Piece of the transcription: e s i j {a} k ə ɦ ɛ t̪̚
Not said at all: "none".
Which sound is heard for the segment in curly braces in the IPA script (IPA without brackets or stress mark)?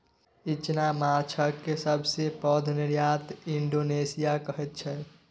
a